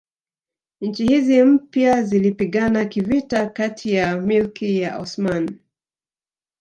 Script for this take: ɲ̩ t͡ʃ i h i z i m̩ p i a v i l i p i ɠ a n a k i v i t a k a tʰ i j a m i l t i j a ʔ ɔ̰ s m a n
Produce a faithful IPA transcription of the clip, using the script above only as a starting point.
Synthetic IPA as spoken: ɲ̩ t͡ʃ i h i z i m̩ p j a z i l i p i ɠ a n a k i v i t a k a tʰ i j a m i l k i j a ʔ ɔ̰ s m a n